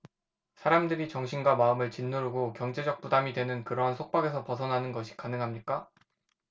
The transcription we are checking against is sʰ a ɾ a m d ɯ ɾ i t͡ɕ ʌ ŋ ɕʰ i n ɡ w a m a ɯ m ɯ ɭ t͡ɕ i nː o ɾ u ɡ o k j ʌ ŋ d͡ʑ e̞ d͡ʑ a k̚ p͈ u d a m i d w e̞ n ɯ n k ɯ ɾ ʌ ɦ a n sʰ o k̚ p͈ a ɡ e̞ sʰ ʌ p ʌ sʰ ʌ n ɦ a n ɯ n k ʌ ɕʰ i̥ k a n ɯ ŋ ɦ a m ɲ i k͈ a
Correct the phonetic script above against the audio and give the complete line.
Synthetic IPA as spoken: sʰ a ɾ a m d ɯ ɾ i t͡ɕ ʌ ŋ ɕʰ i n ɡ w a m a ɯ m ɯ ɭ t͡ɕ i nː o ɾ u ɡ o k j ʌ ŋ d͡ʑ e̞ d͡ʑ ʌ k̚ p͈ u d a m i d w e̞ n ɯ n k ɯ ɾ ʌ ɦ a n sʰ o k̚ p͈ a ɡ e̞ sʰ ʌ p ʌ sʰ ʌ n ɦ a n ɯ n ɡ ʌ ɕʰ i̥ k a n ɯ ŋ ɦ a m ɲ i k͈ a